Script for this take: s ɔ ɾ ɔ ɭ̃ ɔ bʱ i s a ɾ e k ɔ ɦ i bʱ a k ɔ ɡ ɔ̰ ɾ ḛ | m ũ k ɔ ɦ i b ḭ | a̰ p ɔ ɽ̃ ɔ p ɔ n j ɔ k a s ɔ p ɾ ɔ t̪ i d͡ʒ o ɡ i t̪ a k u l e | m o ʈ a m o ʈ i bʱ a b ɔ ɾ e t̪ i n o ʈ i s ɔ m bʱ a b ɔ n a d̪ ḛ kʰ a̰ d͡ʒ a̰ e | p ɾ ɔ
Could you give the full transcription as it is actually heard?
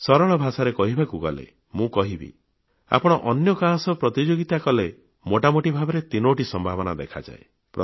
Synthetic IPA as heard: s ɔ ɾ ɔ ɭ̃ ɔ bʱ a s a ɾ e k ɔ ɦ i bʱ a k u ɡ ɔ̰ l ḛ | m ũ k ɔ ɦ i b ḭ | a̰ p ɔ ɽ̃ ɔ ʔ ɔ n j ɔ k a s ɔ p ɾ ɔ t̪ i d͡ʒ o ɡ i t̪ a k ɔ l e | m o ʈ a m o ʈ i bʱ a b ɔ ɾ e t̪ i n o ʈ i s ɔ m bʱ a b ɔ n a d̪ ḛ kʰ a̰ d͡ʒ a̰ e | p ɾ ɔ